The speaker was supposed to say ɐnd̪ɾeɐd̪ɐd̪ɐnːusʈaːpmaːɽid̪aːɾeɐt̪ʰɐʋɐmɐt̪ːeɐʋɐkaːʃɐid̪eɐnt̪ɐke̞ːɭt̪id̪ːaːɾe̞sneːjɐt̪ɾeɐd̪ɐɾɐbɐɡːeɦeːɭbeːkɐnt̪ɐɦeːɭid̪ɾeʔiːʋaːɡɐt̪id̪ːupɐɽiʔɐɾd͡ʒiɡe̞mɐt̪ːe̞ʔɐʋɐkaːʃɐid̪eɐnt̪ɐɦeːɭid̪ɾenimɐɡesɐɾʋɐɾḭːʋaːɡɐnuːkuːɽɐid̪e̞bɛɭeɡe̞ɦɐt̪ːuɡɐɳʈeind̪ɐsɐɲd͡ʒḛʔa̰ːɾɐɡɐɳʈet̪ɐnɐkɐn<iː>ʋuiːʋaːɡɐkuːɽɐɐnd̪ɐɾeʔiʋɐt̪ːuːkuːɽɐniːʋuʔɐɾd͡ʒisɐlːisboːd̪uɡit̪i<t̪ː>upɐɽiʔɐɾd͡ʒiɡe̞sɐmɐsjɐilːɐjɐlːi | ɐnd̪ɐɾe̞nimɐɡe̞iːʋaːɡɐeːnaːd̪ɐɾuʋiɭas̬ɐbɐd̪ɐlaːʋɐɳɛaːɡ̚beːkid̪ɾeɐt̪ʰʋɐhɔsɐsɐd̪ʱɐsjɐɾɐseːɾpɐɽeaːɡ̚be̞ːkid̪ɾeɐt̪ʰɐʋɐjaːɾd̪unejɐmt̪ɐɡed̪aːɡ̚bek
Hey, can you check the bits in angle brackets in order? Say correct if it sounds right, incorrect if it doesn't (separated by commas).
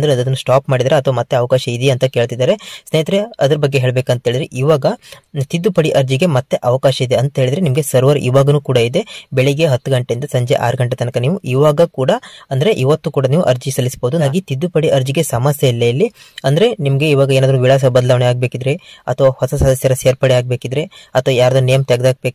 correct, incorrect